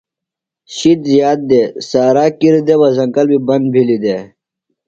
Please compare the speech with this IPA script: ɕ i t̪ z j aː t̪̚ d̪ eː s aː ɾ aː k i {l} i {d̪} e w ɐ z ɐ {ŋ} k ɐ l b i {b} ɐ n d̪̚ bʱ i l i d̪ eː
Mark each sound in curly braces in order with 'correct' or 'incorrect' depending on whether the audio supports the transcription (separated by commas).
incorrect, correct, correct, correct